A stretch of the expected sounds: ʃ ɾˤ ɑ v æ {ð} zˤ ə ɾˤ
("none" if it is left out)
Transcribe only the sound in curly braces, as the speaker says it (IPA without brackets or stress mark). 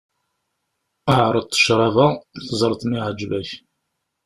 θ